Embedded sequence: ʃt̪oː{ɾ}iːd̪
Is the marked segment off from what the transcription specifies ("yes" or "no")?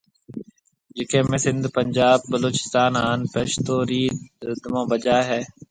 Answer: no